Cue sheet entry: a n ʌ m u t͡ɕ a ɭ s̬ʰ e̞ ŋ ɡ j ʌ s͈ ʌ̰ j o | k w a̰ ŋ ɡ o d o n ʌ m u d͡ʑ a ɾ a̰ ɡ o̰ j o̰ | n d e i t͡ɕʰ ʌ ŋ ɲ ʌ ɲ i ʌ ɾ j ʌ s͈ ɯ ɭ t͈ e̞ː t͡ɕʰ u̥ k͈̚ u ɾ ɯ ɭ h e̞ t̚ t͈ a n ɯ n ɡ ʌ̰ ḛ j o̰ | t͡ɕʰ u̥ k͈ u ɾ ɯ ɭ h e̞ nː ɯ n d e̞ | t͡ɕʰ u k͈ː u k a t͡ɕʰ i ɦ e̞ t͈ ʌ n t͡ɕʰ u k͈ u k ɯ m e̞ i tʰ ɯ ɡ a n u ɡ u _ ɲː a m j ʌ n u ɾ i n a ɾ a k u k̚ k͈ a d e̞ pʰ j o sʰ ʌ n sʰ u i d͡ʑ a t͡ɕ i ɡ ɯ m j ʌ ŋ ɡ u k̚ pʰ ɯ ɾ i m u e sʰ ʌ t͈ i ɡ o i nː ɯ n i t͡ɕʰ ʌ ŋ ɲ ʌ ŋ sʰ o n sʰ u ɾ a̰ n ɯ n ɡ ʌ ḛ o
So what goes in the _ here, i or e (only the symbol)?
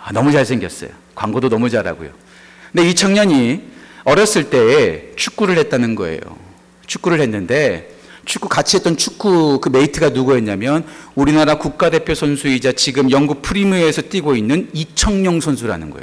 e